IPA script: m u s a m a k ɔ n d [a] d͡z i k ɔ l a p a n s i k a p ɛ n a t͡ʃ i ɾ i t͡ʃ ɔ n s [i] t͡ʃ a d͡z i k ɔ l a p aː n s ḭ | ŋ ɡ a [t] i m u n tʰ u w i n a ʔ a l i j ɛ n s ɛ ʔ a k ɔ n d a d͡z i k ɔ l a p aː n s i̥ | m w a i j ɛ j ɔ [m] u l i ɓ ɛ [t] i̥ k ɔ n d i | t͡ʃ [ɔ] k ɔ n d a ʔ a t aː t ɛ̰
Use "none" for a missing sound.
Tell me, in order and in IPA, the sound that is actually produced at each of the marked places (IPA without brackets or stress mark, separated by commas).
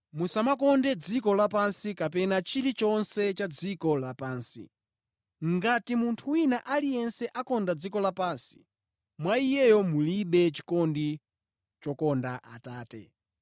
ɛ, ɛ, t, m, t͡ʃ, ɔ